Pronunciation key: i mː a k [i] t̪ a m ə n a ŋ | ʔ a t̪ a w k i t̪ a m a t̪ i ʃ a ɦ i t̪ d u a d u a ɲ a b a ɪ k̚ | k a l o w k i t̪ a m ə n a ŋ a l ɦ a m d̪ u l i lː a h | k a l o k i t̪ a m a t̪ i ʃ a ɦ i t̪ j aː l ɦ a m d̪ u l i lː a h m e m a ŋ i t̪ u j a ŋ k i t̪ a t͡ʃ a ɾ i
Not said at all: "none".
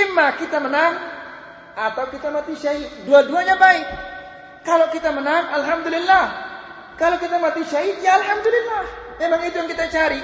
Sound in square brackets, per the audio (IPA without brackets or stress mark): i